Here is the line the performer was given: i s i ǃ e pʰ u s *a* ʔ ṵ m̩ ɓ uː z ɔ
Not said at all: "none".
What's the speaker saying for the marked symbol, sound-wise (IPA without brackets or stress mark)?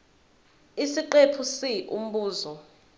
i